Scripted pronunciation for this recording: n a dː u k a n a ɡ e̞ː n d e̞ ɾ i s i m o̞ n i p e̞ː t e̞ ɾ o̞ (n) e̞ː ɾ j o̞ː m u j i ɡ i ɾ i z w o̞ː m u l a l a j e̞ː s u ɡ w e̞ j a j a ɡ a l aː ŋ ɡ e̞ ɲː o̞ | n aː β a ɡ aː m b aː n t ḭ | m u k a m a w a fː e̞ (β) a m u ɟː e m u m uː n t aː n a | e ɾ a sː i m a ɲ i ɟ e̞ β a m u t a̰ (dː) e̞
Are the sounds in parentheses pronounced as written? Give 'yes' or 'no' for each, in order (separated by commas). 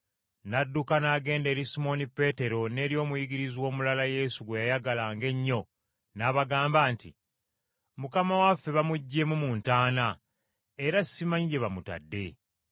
yes, yes, yes